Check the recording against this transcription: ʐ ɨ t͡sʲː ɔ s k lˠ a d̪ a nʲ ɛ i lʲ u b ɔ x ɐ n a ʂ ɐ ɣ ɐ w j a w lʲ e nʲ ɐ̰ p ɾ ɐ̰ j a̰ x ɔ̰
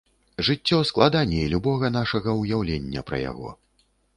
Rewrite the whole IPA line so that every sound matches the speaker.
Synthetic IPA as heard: ʐ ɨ t͡sʲː ɔ s k lˠ a d̪ a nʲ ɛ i lʲ u b ɔ ɣ ɐ n a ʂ ɐ ɣ ɐ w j a w lʲ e nʲː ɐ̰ p ɾ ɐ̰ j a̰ ɣ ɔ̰